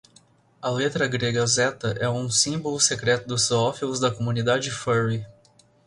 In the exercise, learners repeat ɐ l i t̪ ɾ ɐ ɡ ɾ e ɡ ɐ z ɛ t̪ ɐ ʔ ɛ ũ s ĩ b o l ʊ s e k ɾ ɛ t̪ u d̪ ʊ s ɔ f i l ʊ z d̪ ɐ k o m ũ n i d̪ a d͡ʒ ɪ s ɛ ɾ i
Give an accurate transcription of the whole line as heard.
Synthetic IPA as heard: ɐ l e t̪ ɾ ɐ ɡ ɾ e ɡ ɐ z ɛ t̪ ɐ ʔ ɛ ũ s ĩ b o l ʊ s e k ɾ ɛ t̪ ʊ d̪ ʊ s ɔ f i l ʊ z d̪ ɐ k o m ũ n i d̪ a d͡ʒ ɪ f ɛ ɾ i